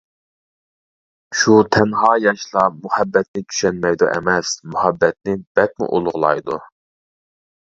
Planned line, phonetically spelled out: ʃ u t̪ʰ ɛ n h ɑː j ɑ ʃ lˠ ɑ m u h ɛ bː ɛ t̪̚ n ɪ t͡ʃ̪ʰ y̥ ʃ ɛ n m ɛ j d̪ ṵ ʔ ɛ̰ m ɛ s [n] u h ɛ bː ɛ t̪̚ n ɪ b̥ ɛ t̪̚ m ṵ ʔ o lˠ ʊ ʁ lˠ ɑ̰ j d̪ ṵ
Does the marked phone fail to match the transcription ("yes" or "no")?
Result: yes